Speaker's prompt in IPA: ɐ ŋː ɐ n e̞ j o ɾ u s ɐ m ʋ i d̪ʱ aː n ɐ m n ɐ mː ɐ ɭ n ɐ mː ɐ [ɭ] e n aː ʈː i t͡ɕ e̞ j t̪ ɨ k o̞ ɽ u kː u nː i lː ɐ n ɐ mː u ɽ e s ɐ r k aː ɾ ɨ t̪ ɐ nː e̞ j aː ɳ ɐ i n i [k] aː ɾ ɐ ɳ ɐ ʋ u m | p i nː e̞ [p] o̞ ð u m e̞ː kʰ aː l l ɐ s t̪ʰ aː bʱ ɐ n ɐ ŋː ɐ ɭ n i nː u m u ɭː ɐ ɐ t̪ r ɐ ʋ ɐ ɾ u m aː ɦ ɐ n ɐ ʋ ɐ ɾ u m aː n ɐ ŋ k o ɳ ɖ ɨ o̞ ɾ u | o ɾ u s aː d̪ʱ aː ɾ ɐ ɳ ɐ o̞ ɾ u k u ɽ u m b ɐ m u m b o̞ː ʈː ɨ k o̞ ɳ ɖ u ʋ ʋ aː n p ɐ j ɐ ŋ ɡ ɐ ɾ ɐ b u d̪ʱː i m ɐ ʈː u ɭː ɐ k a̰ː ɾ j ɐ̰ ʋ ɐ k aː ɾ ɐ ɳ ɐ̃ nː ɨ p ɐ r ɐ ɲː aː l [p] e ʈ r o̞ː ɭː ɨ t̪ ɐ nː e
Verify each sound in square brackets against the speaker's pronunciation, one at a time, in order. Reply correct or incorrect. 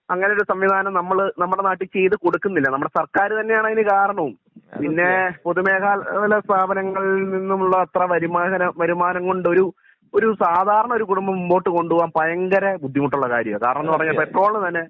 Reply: incorrect, correct, correct, correct

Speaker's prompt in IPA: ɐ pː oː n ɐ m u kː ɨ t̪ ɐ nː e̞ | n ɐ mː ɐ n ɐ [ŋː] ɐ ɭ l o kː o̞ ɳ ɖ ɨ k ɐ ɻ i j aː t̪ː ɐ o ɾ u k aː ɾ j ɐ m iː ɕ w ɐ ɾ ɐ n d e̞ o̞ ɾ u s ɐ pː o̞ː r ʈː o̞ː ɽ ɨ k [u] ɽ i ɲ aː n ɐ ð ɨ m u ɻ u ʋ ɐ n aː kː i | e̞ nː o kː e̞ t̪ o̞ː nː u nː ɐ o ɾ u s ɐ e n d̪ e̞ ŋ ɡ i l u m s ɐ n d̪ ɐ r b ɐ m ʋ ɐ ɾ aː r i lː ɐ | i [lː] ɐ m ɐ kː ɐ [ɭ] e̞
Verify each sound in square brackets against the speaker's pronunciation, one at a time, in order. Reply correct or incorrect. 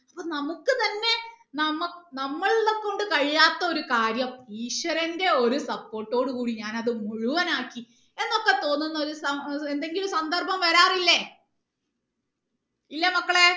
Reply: incorrect, incorrect, correct, correct

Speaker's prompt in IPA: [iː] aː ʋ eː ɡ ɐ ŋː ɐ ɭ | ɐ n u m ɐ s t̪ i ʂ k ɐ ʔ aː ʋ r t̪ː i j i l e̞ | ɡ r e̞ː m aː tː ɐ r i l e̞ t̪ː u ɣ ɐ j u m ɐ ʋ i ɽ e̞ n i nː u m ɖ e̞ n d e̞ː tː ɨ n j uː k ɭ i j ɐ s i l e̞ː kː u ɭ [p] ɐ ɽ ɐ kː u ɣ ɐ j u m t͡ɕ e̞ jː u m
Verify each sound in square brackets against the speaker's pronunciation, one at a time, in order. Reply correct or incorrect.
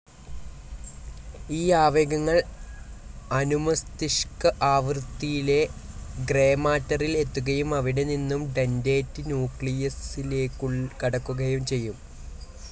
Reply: correct, incorrect

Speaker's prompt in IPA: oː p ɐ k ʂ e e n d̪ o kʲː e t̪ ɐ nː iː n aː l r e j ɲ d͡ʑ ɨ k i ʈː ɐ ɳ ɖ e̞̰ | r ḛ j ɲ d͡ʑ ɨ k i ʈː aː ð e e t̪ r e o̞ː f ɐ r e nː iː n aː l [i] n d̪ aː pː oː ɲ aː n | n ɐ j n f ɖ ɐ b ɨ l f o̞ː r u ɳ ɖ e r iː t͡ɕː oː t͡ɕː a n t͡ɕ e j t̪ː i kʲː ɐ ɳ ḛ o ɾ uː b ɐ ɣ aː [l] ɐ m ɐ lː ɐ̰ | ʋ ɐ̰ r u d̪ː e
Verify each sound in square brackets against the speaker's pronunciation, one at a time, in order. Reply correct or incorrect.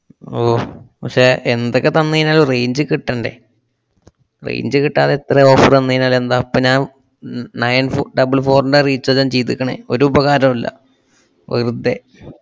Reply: incorrect, incorrect

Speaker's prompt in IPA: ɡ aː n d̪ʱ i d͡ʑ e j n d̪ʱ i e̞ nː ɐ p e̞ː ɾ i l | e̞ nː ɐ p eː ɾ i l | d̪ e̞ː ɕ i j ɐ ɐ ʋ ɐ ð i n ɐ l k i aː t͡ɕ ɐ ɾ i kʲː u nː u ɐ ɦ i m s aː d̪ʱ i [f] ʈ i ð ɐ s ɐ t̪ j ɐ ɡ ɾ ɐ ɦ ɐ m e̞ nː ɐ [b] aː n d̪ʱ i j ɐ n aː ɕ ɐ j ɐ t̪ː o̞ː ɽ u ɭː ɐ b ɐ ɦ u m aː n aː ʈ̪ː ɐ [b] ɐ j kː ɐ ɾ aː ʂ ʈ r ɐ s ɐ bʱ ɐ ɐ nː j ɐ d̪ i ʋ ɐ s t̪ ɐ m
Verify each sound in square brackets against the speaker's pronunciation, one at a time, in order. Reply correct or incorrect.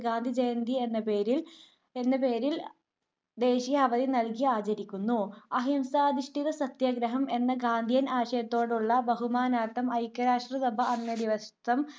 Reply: incorrect, incorrect, incorrect

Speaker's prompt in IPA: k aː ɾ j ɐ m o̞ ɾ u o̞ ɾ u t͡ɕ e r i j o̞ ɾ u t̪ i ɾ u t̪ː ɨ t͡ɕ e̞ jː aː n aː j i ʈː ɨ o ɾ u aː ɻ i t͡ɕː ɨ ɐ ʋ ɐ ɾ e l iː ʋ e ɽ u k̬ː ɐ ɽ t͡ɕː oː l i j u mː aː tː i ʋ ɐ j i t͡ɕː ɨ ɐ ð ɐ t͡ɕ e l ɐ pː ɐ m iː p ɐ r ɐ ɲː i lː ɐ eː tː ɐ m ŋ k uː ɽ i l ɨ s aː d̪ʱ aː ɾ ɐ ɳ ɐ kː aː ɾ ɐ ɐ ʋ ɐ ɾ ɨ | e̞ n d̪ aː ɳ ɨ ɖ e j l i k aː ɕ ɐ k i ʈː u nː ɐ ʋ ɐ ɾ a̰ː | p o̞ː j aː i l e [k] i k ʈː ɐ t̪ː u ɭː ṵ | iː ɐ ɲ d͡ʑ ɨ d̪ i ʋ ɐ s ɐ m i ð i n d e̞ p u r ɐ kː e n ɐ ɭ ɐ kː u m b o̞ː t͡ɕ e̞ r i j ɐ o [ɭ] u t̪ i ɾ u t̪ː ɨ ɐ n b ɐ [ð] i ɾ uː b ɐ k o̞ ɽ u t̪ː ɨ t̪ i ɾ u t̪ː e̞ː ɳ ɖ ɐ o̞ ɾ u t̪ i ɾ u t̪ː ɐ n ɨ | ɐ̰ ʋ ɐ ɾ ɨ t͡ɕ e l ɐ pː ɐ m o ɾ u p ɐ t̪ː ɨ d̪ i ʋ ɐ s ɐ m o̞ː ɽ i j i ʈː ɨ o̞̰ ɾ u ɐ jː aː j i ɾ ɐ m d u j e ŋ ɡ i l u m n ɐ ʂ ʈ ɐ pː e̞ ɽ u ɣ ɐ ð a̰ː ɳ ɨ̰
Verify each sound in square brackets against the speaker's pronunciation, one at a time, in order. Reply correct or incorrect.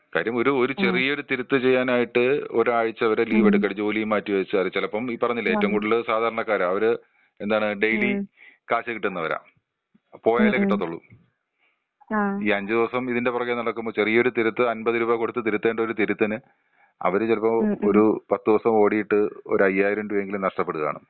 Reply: correct, incorrect, correct

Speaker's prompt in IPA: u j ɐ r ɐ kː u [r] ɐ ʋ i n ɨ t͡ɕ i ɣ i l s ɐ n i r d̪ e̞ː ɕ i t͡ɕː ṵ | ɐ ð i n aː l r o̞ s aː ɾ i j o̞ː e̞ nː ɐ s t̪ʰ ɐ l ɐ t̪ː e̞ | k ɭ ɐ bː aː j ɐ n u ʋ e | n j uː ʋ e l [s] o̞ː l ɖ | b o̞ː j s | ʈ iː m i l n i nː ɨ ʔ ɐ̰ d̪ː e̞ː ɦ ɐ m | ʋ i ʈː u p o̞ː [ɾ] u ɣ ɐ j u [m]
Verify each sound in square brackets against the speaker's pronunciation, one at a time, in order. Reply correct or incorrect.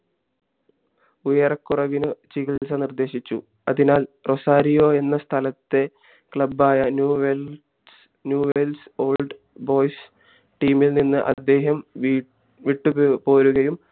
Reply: correct, correct, correct, correct

